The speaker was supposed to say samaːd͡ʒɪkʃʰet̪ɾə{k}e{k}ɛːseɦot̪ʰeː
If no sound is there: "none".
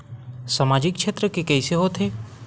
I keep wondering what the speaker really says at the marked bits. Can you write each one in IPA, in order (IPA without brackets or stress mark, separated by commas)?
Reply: k, k